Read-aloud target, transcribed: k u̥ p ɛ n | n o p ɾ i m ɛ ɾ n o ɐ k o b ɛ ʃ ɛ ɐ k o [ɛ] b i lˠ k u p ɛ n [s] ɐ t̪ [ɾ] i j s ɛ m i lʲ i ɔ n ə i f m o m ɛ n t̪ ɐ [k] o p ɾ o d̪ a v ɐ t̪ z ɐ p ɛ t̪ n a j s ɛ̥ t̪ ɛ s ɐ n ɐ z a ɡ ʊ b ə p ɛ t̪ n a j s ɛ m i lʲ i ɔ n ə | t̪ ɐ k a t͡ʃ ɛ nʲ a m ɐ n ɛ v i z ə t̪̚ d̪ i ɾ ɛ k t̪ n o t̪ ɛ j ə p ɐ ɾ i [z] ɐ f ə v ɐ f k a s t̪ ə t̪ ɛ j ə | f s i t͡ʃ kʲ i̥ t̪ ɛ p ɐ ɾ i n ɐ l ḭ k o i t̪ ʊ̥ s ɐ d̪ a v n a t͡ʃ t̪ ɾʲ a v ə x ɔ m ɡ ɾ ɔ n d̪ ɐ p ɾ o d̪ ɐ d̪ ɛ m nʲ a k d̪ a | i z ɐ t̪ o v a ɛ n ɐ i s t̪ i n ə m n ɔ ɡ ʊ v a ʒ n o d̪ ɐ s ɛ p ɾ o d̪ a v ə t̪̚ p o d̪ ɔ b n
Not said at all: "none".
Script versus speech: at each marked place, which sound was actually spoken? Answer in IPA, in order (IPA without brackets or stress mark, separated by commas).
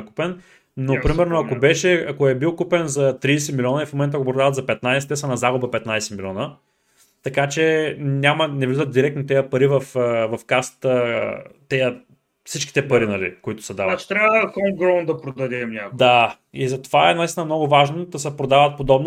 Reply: ɛ, z, ɾ, k, v